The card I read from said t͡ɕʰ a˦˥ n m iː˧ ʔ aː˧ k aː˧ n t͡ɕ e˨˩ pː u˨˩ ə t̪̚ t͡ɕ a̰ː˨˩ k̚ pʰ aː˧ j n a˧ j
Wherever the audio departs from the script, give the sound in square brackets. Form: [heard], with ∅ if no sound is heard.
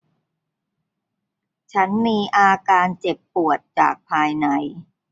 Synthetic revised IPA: t͡ɕʰ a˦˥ n m iː˧ ʔ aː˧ k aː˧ n t͡ɕ e˨˩ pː u˨˩ ə t̪̚ t͡ɕ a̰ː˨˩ k̚ pʰ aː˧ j n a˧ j

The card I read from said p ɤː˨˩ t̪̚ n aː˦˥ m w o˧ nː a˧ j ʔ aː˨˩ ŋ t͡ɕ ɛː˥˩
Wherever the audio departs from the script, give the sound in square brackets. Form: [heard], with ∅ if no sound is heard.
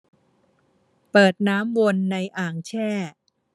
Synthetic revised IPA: p ɤː˨˩ t̪̚ n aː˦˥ m w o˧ nː a˧ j ʔ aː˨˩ ŋ [t͡ɕʰ] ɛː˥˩

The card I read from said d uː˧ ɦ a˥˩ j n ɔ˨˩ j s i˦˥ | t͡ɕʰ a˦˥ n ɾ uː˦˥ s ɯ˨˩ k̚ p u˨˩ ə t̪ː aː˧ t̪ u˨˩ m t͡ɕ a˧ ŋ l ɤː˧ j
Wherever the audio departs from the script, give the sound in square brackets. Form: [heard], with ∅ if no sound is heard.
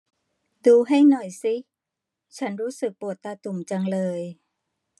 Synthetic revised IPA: d uː˧ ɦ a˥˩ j n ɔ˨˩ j s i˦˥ | t͡ɕʰ a˦˥ n ɾ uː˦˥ s ɯ˨˩ k̚ p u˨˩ ə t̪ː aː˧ t̪ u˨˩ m t͡ɕ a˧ ŋ l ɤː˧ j

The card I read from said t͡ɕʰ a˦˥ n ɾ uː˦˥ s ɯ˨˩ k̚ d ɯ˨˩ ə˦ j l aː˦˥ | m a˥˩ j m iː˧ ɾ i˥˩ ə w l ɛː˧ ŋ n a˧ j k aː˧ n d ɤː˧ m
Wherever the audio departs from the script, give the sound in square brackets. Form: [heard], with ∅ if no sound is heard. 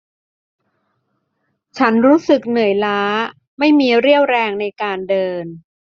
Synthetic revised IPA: t͡ɕʰ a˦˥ n ɾ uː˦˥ s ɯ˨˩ k̚ [n] ɯ˨˩ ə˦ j l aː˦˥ | m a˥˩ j m iː˧ ɾ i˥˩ ə w [ɾ] ɛː˧ ŋ n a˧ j k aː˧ n d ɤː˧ [n]

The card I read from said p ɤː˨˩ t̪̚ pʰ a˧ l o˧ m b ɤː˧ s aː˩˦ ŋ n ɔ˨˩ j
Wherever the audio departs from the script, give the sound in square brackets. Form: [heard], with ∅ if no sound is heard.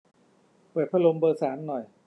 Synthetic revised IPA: p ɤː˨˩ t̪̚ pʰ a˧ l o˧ m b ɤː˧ s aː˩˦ [m] n ɔ˨˩ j

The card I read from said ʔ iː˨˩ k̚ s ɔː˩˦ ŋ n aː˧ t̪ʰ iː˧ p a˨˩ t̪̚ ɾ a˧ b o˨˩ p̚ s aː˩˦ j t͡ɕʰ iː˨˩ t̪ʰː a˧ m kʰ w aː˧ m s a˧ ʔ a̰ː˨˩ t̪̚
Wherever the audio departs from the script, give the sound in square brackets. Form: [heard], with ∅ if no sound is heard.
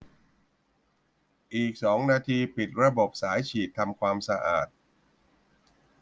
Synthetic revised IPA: ʔ iː˨˩ k̚ s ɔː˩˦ ŋ n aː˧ t̪ʰ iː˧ p [i˨˩] t̪̚ ɾ a˧ b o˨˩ p̚ s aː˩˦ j t͡ɕʰ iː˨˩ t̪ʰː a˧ m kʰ w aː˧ m s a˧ ʔ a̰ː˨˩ t̪̚

